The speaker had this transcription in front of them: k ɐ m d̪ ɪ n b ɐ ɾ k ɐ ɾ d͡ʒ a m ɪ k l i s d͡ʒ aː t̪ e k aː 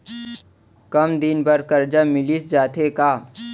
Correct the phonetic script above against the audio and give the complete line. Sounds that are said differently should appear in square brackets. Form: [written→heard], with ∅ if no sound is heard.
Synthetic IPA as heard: k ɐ m d̪ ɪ n b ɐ ɾ k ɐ ɾ d͡ʒ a m ɪ [k→∅] l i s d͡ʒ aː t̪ e k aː